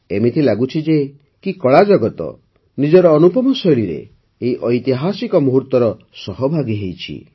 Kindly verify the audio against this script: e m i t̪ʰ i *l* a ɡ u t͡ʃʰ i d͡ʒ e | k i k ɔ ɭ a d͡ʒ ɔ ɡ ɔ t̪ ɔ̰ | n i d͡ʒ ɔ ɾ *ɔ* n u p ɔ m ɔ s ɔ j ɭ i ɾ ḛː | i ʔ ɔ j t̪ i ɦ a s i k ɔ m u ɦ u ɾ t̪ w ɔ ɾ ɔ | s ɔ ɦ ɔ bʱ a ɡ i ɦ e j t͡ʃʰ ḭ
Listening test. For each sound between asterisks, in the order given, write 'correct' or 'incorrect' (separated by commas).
correct, incorrect